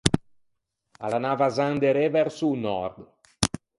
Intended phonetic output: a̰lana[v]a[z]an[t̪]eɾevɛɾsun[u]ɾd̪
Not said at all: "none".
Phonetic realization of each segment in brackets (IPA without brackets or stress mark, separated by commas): v, z, d̪, ɔ